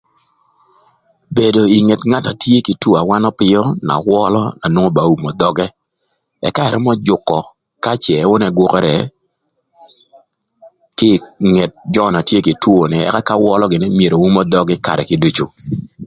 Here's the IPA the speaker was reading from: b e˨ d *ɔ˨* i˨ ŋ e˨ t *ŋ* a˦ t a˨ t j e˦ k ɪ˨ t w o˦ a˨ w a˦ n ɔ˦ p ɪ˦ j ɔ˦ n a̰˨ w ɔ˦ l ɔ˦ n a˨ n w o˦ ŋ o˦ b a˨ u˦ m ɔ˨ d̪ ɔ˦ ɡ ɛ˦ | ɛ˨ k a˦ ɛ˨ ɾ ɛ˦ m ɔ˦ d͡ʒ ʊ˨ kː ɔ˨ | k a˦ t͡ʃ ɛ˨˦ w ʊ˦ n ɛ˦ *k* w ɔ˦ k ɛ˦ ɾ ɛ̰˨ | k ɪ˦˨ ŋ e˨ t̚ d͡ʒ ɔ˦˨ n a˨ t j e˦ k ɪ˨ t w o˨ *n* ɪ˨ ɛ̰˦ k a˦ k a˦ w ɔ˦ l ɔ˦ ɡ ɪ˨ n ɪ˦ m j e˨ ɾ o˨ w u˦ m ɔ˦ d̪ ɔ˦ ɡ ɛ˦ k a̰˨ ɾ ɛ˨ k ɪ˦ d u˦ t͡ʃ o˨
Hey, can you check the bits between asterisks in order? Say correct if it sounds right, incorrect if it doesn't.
incorrect: o˨, correct, incorrect: ɡ, correct

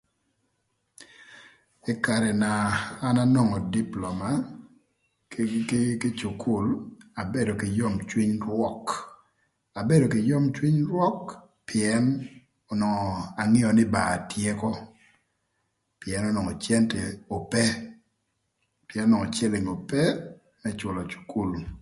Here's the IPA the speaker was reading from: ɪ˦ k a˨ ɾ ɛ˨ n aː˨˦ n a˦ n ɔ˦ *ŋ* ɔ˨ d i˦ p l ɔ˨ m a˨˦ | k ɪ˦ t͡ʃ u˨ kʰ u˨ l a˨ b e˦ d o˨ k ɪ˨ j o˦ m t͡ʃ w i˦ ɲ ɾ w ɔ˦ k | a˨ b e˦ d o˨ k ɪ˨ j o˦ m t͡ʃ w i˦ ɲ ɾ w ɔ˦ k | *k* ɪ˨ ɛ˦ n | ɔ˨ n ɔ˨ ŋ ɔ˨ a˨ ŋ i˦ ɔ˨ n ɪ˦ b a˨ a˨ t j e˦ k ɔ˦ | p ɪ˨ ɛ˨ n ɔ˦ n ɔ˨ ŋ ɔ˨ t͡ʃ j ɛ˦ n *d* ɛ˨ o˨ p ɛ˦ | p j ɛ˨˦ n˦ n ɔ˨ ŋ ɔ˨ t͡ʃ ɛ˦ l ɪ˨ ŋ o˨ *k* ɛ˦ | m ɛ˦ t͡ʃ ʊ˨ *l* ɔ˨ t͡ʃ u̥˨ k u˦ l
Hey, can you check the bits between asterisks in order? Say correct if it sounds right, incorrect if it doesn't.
correct, incorrect: p, incorrect: t, incorrect: p, correct

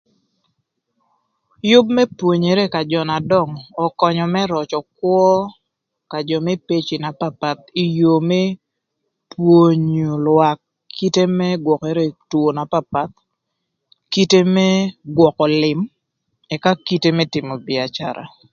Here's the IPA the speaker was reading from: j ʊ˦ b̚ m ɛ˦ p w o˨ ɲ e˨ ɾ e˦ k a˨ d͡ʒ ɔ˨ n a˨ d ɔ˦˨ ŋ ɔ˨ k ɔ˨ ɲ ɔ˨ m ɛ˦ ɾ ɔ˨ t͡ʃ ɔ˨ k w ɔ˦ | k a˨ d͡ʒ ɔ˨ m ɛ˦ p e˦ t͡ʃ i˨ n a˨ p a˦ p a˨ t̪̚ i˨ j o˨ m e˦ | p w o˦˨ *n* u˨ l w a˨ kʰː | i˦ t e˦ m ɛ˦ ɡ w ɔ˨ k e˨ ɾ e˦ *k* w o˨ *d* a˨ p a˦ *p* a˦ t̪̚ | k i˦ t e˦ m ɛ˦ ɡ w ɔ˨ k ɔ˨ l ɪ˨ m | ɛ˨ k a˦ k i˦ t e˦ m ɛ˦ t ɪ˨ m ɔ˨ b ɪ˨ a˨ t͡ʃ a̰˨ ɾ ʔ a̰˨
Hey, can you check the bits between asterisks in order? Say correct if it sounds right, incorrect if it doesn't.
incorrect: ɲ, incorrect: t, incorrect: n, correct

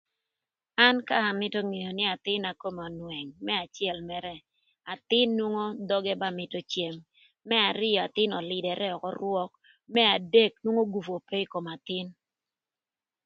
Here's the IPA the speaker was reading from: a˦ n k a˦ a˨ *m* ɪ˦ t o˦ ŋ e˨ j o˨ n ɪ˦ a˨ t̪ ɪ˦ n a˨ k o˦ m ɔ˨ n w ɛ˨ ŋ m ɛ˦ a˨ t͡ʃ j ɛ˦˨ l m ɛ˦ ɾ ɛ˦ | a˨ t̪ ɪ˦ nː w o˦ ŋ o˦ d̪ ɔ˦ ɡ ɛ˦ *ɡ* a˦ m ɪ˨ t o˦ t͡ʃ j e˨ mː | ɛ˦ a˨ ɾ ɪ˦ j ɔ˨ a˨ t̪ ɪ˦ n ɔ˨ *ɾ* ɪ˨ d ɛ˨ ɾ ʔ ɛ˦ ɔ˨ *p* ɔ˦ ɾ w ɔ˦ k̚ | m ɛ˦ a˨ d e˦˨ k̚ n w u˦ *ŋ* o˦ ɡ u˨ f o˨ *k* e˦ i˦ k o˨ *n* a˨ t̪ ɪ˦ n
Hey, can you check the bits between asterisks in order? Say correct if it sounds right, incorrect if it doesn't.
correct, incorrect: b, incorrect: l, incorrect: k, correct, incorrect: p, incorrect: m

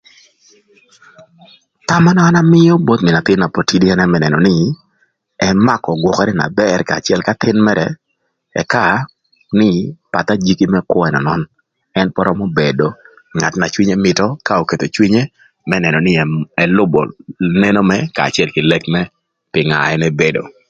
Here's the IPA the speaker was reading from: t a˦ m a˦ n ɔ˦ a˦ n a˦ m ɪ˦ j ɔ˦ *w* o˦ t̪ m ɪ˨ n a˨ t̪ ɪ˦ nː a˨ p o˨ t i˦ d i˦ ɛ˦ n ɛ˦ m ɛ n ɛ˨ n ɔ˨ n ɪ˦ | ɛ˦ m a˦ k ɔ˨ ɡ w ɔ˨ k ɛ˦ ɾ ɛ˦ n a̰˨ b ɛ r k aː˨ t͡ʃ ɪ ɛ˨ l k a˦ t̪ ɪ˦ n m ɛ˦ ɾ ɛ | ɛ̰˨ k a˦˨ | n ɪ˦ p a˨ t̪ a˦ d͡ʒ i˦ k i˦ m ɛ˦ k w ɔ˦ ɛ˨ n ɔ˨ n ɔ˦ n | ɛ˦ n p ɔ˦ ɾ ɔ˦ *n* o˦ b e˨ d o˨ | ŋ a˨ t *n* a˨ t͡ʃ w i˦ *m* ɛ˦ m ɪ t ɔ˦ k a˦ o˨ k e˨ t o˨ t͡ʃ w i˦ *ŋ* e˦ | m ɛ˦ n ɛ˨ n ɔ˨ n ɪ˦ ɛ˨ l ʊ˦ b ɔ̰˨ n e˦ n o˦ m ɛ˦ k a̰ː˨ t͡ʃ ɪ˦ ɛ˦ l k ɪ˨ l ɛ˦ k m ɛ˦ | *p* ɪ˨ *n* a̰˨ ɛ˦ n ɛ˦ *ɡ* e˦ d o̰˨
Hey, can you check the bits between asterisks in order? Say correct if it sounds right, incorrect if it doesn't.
incorrect: b, incorrect: m, correct, incorrect: ɲ, incorrect: ɲ, correct, incorrect: ŋ, incorrect: b

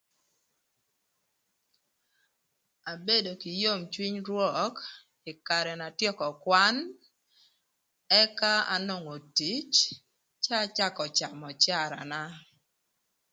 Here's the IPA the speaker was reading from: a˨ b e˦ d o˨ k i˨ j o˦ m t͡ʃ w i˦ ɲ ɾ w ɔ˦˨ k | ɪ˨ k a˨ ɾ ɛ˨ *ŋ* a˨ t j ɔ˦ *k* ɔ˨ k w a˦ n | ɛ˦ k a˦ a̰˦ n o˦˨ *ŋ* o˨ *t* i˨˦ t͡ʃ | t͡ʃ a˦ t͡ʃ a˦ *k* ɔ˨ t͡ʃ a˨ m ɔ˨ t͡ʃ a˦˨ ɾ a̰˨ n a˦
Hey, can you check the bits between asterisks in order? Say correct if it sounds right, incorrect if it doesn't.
incorrect: n, correct, correct, correct, correct

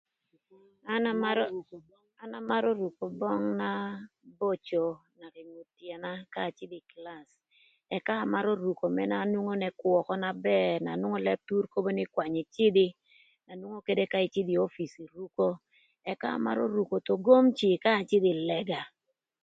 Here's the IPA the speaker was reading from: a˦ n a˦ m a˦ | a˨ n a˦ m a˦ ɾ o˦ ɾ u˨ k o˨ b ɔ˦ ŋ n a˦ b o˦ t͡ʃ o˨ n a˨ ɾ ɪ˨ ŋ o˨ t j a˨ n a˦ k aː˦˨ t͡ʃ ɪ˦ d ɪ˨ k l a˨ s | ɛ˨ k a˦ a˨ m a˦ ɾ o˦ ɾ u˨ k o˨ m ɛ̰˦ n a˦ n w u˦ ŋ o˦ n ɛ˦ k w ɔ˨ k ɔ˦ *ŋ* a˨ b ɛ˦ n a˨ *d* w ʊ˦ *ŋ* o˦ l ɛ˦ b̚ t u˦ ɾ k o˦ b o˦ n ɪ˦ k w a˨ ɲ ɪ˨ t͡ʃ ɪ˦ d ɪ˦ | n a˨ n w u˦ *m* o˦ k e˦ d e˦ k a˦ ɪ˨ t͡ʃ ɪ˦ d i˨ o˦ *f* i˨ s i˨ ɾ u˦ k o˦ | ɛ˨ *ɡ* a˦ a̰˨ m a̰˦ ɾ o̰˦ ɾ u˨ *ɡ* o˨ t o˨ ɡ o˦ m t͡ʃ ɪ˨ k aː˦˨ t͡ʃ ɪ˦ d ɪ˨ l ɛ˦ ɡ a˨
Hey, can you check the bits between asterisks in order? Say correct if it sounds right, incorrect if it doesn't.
incorrect: n, incorrect: n, correct, incorrect: ŋ, correct, incorrect: k, incorrect: k

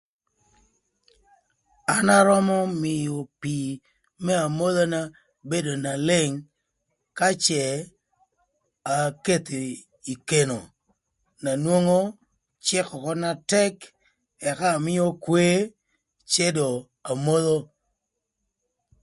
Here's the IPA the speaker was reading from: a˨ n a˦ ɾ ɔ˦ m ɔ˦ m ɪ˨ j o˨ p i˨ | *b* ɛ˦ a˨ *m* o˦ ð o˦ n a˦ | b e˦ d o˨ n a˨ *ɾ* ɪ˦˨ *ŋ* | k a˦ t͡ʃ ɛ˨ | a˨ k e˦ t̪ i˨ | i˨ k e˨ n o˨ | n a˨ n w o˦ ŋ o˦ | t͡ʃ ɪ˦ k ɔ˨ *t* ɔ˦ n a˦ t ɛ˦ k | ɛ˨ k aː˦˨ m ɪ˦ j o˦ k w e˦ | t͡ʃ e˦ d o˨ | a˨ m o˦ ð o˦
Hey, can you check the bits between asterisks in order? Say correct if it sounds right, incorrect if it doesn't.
incorrect: m, correct, incorrect: l, correct, incorrect: k

